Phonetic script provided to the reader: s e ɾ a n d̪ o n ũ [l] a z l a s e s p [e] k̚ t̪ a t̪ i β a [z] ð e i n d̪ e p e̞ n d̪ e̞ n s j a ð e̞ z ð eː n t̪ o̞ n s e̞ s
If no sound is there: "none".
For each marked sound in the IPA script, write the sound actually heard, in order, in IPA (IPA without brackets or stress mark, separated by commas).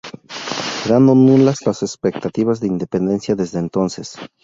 l, e, z